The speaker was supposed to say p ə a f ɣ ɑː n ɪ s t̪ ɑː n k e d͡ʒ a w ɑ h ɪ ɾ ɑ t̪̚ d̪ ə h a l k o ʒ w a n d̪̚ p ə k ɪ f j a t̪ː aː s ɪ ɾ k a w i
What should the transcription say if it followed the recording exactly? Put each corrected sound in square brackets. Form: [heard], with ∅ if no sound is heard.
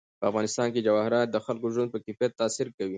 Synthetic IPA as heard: p ə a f ɣ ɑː n ɪ s t̪ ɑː n k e d͡ʒ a w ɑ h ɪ ɾ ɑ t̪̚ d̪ ə [x] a l k o ʒ w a n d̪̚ p ə k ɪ f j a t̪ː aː s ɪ ɾ k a w i